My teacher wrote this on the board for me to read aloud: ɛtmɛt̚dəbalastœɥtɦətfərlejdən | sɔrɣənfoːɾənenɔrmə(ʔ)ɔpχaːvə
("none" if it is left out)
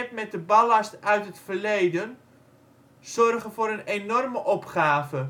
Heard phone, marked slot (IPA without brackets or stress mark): ʔ